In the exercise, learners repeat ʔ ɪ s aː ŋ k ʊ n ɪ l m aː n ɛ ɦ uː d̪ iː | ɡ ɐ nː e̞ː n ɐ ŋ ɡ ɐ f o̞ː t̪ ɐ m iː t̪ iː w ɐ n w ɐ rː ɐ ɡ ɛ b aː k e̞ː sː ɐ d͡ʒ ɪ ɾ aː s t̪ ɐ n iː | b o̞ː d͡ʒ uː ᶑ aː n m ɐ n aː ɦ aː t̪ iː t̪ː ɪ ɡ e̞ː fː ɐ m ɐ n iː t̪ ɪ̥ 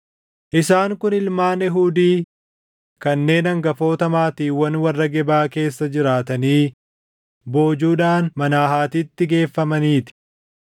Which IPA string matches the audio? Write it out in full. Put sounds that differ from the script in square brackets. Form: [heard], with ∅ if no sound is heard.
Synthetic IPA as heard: ʔ ɪ s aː ŋ k ʊ n ɪ l m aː n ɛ ɦ uː d̪ iː | [k] ɐ nː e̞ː n ɐ ŋ ɡ ɐ f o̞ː t̪ ɐ m [aː] t̪ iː w ɐ n w ɐ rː ɐ ɡ ɛ b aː k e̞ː sː ɐ d͡ʒ ɪ ɾ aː [∅] t̪ ɐ n iː | b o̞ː d͡ʒ uː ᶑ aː n m ɐ n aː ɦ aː t̪ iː t̪ː ɪ ɡ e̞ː fː ɐ m ɐ n iː t̪ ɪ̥